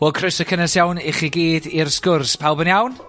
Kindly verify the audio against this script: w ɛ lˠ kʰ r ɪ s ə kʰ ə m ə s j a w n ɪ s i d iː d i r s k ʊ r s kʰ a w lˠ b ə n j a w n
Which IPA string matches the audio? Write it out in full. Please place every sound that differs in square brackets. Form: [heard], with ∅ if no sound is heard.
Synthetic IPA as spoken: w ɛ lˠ kʰ r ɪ s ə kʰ ə [n] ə s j a w n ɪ [χ] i [ɡ] iː d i r s k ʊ r s [pʰ] a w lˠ b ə n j a w n